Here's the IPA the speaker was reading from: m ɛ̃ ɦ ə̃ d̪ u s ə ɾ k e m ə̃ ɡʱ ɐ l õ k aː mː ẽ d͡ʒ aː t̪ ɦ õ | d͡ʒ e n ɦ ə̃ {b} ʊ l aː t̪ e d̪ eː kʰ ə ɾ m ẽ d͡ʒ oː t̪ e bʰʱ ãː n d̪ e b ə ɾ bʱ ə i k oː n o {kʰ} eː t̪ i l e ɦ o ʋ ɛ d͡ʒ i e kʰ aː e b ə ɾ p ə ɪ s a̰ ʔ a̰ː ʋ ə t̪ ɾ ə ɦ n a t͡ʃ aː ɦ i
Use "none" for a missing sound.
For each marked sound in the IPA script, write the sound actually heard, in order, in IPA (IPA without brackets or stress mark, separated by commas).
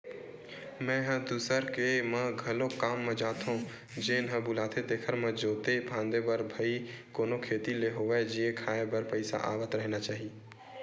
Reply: b, kʰ